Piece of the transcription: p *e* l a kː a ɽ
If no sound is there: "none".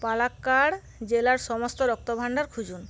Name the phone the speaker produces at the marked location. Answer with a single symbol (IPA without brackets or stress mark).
a